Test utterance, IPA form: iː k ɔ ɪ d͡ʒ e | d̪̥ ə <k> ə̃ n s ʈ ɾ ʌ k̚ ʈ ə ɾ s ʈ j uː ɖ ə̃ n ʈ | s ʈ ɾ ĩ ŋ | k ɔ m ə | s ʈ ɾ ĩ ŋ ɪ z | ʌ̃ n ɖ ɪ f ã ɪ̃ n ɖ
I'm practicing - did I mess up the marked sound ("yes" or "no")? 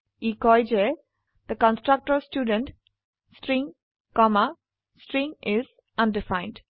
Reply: no